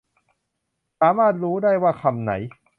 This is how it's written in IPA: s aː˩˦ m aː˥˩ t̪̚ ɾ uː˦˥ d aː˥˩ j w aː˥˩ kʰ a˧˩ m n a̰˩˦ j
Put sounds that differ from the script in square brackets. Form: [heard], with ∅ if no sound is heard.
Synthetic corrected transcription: s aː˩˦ m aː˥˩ t̪̚ ɾ uː˦˥ d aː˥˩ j w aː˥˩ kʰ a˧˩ m n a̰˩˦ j